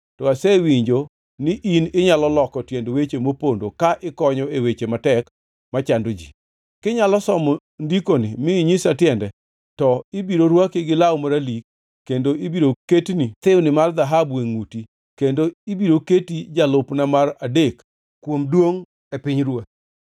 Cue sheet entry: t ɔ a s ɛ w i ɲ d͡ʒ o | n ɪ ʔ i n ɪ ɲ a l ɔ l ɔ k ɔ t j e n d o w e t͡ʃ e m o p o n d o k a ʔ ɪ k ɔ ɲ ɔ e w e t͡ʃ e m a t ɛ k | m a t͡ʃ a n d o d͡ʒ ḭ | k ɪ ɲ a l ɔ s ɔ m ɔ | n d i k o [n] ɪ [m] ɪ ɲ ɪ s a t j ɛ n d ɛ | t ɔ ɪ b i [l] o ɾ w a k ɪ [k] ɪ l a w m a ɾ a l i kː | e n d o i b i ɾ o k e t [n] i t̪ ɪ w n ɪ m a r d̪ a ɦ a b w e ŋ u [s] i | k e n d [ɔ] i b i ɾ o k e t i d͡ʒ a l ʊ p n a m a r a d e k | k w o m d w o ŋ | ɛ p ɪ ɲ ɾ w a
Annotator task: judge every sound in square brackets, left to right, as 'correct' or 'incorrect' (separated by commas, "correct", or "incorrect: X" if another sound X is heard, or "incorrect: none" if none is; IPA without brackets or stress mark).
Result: correct, correct, incorrect: ɾ, incorrect: ɡ, correct, incorrect: t, incorrect: o